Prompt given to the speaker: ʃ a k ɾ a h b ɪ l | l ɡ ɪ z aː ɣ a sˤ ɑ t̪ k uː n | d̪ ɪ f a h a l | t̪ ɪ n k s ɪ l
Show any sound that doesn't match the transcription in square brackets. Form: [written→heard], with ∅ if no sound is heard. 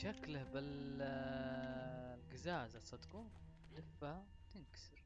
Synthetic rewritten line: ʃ a k [ɾ→l] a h b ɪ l | l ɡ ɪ z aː [ɣ→z] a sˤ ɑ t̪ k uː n | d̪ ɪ f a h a [l→∅] | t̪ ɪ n k s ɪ [l→ɾ]